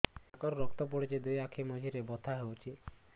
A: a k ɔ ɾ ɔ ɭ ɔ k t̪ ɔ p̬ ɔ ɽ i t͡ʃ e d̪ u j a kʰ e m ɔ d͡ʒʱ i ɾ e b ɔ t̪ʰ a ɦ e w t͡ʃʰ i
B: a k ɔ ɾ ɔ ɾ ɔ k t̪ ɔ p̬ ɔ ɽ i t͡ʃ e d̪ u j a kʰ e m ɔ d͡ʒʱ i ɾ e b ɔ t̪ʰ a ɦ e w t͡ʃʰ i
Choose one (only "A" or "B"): B